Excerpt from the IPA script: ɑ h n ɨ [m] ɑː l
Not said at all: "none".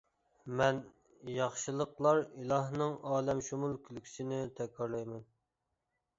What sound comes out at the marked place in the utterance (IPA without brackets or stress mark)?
ŋ